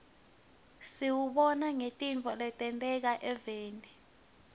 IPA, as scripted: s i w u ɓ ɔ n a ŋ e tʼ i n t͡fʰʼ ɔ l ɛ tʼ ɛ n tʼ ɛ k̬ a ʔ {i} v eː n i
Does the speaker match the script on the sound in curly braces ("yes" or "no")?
no